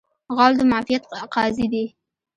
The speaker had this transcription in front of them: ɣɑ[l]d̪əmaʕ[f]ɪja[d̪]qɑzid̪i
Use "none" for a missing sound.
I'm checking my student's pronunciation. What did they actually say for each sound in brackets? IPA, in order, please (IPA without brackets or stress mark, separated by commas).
l, f, t̪